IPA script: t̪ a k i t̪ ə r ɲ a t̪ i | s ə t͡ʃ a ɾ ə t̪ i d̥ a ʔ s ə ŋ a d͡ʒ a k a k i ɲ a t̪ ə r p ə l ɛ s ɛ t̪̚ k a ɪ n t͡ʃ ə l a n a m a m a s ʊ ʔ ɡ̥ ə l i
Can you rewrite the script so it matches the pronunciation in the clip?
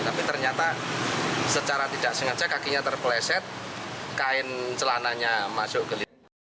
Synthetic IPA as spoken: t̪ a p i t̪ ə r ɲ a t̪ a | s ə t͡ʃ a ɾ a t̪ i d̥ a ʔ s ə ŋ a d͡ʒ a k a k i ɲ a t̪ ə r p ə l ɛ s ɛ t̪̚ k a ɪ n t͡ʃ ə l a n a ɲ a m a s ʊ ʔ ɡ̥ ə l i